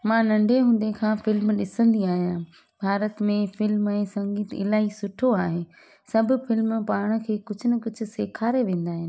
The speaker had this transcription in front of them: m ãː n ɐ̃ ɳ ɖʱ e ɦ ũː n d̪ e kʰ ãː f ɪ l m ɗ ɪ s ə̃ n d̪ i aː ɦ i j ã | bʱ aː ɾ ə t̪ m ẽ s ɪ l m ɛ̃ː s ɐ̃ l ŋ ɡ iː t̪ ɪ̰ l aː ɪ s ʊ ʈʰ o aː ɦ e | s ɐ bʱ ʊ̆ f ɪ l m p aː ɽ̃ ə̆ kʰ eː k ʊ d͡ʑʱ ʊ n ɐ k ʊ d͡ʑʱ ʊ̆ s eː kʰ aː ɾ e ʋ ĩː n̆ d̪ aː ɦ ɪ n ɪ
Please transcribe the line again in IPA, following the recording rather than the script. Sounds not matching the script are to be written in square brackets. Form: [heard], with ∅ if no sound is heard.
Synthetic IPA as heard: m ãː n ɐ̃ ɳ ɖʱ e ɦ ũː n d̪ e kʰ ãː f ɪ l m ɗ ɪ s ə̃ n d̪ i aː ɦ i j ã | bʱ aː ɾ ə t̪ m ẽ [f] ɪ l m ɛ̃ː s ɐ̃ [∅] ŋ ɡ iː t̪ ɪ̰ l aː [i] s ʊ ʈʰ o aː ɦ e | s ɐ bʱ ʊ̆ f ɪ l m p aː ɽ̃ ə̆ kʰ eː k ʊ d͡ʑʱ ʊ n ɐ k ʊ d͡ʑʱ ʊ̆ s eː kʰ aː ɾ e ʋ [ẽː] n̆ d̪ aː ɦ ɪ n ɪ

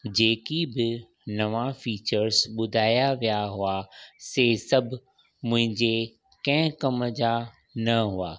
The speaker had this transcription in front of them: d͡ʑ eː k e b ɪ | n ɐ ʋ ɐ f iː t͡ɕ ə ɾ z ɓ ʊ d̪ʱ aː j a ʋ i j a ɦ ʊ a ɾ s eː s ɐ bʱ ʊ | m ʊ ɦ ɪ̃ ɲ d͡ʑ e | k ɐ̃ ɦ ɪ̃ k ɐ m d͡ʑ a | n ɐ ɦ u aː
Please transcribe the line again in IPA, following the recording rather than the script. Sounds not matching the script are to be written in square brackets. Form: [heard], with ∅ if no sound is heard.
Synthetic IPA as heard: d͡ʑ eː k [i] b ɪ | n ɐ ʋ [a] f iː t͡ɕ ə ɾ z ɓ ʊ d̪ʱ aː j a ʋ i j a ɦ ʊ a [∅] s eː s ɐ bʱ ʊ | m [ʊ̃] ɦ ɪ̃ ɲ d͡ʑ e | k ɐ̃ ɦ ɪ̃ k ɐ m d͡ʑ a | n ɐ ɦ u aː

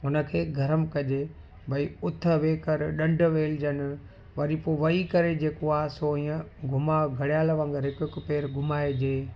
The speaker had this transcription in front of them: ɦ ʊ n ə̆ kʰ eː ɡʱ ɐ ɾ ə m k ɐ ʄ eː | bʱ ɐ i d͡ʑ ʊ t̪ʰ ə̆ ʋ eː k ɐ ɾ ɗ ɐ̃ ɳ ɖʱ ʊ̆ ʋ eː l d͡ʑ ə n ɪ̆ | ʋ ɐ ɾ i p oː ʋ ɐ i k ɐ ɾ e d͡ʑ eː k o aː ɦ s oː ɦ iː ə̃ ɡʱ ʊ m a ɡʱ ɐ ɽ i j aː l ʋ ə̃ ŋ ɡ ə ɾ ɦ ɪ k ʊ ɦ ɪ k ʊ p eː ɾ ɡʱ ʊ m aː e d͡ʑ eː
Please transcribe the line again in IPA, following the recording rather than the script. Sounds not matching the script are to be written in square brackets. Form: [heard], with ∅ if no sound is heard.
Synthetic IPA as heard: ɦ ʊ n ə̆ kʰ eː ɡʱ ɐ ɾ ə m k ɐ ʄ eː | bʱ ɐ i [∅] ʊ t̪ʰ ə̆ ʋ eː k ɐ ɾ ɗ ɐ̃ ɳ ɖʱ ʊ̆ ʋ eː l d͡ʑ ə n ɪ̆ | ʋ ɐ ɾ i p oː ʋ ɐ i k ɐ ɾ e d͡ʑ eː k o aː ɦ s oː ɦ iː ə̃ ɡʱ ʊ m a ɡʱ ɐ ɽ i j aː l ʋ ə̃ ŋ ɡ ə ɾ ɦ ɪ k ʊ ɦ ɪ k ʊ p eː ɾ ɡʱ ʊ m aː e d͡ʑ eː

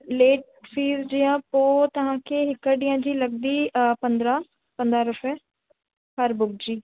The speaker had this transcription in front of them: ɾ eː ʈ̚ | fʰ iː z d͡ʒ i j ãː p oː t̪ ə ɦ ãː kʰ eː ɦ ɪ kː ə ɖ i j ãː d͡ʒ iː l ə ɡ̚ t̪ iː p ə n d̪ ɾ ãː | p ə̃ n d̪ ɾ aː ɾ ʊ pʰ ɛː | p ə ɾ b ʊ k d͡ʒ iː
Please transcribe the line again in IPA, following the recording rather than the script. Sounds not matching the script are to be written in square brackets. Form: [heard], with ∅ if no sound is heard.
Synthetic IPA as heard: [l] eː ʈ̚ | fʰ iː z d͡ʒ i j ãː p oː t̪ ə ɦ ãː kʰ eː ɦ ɪ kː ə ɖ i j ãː d͡ʒ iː l ə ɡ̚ [d̪] iː p ə n d̪ ɾ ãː | p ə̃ n d̪ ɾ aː ɾ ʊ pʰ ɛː | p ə ɾ b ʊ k d͡ʒ iː

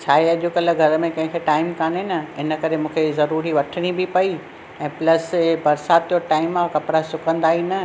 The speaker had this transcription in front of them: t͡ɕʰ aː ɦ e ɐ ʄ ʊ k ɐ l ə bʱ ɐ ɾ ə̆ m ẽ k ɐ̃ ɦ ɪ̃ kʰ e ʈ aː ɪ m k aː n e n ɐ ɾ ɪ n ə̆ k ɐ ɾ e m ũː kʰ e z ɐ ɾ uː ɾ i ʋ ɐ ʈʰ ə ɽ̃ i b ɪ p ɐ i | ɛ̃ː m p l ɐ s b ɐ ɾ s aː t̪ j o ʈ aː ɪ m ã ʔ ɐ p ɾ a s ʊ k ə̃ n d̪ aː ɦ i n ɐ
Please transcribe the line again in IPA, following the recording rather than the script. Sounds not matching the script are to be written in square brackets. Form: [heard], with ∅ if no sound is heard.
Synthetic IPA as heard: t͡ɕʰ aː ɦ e ɐ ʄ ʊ k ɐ l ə [ɡʱ] ɐ ɾ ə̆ m ẽ k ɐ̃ ɦ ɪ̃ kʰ e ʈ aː ɪ m k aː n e n ɐ [∅] ɪ n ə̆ k ɐ ɾ e m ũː kʰ e z ɐ ɾ uː ɾ i ʋ ɐ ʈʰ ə ɽ̃ i b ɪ p ɐ i | ɛ̃ː [∅] p l ɐ s b ɐ ɾ s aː t̪ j o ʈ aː ɪ m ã [k] ɐ p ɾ a s ʊ k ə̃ n d̪ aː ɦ i n ɐ

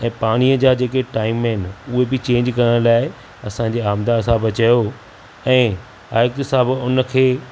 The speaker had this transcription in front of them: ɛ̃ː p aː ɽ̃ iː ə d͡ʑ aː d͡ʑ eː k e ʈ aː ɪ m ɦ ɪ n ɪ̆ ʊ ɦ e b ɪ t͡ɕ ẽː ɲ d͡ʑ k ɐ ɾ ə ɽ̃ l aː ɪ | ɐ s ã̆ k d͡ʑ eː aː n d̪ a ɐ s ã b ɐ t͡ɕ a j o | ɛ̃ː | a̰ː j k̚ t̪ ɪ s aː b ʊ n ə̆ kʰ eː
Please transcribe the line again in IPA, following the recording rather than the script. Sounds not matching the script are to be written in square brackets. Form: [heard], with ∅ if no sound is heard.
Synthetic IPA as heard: ɛ̃ː p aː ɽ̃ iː ə d͡ʑ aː d͡ʑ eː k e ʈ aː ɪ m ɦ ɪ n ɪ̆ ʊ ɦ e b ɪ t͡ɕ ẽː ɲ d͡ʑ k ɐ ɾ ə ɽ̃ l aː ɪ | ɐ s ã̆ [∅] d͡ʑ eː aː [m] d̪ a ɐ s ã b ɐ t͡ɕ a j o | ɛ̃ː | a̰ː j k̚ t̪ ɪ s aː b ʊ n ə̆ kʰ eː

